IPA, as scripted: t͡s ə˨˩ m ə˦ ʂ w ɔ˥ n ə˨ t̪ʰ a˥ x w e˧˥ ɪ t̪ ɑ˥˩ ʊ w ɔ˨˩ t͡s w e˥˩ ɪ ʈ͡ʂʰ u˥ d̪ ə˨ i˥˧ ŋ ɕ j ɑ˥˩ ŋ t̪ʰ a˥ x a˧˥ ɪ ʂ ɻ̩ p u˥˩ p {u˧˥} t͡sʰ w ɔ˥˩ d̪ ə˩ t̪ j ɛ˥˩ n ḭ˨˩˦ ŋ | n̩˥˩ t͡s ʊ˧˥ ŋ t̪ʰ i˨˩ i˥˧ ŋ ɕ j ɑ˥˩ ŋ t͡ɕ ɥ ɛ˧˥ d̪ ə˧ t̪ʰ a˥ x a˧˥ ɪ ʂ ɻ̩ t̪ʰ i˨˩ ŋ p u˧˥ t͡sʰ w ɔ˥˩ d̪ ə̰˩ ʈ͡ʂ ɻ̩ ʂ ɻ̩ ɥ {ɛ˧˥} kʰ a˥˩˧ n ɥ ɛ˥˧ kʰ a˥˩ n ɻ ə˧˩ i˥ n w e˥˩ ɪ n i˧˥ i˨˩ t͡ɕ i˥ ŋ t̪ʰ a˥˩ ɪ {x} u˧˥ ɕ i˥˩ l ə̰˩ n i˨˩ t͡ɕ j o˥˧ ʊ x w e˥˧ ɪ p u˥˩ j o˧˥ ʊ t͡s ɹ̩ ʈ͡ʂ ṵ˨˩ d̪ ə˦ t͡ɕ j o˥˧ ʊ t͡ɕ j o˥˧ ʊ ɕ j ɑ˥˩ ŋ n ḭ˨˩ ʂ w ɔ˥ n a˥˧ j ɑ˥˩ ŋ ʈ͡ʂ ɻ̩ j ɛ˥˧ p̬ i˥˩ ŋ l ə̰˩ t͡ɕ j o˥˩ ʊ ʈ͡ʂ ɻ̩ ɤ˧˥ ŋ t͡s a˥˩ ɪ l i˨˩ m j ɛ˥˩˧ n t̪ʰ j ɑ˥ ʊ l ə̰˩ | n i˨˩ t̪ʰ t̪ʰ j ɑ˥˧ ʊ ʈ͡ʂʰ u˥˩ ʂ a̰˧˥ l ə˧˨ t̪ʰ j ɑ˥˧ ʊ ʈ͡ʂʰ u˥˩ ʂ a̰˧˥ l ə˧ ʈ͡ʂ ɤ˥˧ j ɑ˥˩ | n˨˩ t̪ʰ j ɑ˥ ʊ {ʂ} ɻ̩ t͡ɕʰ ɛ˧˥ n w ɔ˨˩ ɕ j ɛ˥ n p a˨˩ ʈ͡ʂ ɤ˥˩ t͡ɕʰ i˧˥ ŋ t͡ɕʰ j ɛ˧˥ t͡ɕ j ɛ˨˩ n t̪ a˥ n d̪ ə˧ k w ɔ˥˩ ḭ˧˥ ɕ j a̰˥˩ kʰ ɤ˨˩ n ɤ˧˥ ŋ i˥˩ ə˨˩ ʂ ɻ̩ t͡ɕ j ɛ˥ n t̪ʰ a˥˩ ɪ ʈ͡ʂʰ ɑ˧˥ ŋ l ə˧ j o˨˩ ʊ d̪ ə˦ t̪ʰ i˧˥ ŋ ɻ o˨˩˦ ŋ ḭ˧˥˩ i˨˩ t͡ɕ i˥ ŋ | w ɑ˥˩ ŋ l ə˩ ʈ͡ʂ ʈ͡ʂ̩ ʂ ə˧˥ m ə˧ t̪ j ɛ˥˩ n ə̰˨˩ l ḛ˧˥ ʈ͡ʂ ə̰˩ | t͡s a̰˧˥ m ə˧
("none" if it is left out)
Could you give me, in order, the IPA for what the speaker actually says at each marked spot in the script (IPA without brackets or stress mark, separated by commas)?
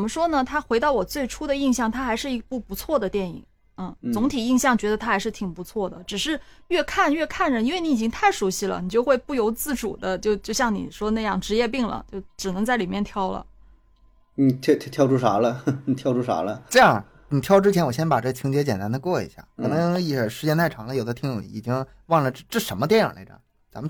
u˧˥, ɛ˥˧, ʂ, ʈ͡ʂ